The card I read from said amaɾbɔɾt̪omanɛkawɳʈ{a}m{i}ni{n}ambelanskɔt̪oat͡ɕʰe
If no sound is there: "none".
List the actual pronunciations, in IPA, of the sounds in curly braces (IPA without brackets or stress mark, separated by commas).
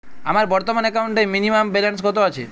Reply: e, i, m